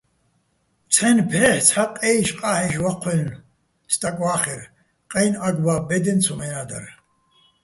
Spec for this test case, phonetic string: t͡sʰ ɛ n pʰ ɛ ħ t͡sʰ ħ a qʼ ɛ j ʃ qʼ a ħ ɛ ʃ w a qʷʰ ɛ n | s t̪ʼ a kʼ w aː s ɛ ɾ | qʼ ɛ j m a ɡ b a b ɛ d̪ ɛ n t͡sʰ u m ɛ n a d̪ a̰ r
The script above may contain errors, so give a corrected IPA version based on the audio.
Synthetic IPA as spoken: t͡sʰ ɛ n pʰ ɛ ħ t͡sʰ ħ a qʼ ɛ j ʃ qʼ a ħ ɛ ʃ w a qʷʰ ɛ n | s t̪ʼ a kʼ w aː χ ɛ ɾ | qʼ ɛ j n a ɡ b a b ɛ d̪ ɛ n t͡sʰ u m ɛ n a d̪ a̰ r

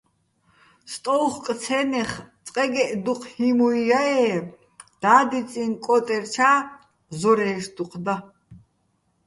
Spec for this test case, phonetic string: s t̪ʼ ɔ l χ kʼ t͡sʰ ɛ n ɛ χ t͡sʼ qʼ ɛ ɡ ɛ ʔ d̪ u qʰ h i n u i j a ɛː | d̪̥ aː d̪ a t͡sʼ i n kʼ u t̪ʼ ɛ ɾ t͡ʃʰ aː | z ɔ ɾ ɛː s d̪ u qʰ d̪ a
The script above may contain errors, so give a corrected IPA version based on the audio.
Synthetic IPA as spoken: s t̪ʼ ɔ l χ kʼ t͡sʰ ɛ n ɛ χ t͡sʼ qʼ ɛ ɡ ɛ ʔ d̪ u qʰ h i m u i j a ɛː | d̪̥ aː d̪ i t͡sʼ i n kʼ ɔ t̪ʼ ɛ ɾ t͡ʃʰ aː | z ɔ ɾ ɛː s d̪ u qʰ d̪ a

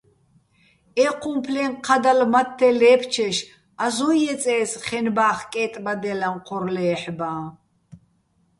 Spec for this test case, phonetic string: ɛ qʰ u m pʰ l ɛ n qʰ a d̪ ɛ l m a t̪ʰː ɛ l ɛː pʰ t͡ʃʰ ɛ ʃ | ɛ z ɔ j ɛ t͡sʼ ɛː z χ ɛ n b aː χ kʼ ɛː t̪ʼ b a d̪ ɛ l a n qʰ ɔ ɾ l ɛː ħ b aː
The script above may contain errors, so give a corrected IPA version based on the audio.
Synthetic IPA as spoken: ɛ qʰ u m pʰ l ɛ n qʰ a d̪ a l m a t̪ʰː ɛ l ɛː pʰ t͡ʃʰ ɛ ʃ | a z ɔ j ɛ t͡sʼ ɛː s χ ɛ n b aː χ kʼ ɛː t̪ʼ b a d̪ ɛ l a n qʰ ɔ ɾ l ɛː ħ b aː

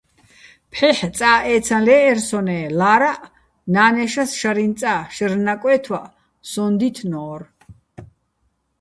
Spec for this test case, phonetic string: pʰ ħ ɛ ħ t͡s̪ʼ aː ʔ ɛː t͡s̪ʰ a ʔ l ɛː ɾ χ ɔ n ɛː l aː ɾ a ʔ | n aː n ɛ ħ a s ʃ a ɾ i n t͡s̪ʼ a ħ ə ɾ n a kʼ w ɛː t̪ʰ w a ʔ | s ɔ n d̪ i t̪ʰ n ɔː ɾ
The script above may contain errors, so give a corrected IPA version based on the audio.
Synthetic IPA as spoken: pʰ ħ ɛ ħ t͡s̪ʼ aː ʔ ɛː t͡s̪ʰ a l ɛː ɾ s ɔ n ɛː l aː ɾ a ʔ | n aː n ɛ ʃ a s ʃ a ɾ i n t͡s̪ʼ a ʃ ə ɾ n a kʼ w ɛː t̪ʰ w a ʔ | s ɔ n d̪ i t̪ʰ n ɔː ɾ

